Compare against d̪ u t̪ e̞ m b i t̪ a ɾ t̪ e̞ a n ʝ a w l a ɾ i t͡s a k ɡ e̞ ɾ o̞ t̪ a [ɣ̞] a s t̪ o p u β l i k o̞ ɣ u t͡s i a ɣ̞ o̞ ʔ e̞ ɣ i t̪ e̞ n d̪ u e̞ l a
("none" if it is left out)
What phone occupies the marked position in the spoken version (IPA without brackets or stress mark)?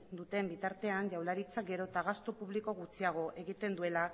ɣ̞